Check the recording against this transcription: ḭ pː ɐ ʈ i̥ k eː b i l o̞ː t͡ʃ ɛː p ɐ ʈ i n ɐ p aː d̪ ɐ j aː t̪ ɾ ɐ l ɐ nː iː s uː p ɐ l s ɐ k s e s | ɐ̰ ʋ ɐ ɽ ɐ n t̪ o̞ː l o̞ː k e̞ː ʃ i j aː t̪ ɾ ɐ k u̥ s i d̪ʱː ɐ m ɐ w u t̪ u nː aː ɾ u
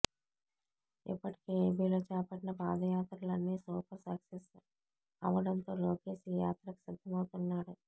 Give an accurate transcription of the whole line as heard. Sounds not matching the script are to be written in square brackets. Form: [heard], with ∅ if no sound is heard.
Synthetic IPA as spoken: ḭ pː ɐ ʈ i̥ k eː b i l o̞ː t͡ʃ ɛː p ɐ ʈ i n ɐ p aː d̪ ɐ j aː t̪ ɾ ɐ l ɐ nː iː s uː p ɐ [ɾ] s ɐ k s e s | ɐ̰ ʋ ɐ ɽ ɐ n t̪ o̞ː l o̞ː k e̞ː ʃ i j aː t̪ ɾ ɐ k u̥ s i d̪ʱː ɐ m ɐ w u t̪ u nː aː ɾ u